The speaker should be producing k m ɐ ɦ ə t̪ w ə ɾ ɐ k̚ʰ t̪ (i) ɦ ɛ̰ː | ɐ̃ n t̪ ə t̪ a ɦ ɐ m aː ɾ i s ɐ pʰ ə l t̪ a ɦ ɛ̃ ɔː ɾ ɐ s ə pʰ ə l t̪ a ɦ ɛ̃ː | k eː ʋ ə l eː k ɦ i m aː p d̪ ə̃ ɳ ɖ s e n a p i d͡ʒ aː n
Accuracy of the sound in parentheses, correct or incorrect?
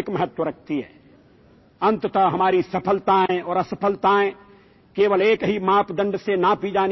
correct